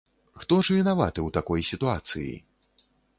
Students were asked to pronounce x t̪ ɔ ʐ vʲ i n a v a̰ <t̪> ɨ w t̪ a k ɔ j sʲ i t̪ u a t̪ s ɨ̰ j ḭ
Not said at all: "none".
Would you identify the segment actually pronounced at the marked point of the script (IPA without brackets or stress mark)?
t̪